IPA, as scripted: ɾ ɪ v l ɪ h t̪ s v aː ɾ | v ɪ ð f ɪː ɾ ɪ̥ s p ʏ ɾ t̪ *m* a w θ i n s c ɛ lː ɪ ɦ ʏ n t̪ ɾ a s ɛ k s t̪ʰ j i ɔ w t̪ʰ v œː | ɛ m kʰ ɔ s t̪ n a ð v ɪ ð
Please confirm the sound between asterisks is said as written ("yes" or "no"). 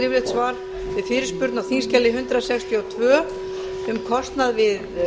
no